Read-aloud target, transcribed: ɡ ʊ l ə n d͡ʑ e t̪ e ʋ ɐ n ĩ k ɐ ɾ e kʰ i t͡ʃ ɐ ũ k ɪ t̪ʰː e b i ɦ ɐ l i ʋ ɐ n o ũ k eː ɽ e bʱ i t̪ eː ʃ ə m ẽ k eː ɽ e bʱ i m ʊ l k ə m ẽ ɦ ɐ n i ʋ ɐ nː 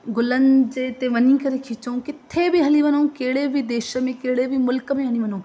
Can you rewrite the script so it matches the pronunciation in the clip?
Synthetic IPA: ɡ ʊ l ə n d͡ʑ e t̪ e ʋ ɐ n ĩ k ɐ ɾ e kʰ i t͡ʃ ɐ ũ k ɪ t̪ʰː e b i ɦ ɐ l i ʋ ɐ n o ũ k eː ɽ e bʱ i d̪ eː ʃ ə m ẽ k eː ɽ e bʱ i m ʊ l k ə m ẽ ɦ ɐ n i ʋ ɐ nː